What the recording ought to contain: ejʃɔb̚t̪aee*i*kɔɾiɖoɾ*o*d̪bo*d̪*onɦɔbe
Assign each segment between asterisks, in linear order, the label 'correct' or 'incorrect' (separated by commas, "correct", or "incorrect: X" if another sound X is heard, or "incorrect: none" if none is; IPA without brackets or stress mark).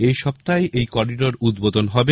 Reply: incorrect: j, incorrect: u, correct